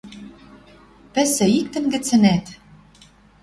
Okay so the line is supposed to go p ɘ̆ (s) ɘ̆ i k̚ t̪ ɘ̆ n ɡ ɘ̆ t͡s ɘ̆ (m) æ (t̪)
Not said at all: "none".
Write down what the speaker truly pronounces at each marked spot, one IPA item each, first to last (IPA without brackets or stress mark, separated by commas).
s, n, t̪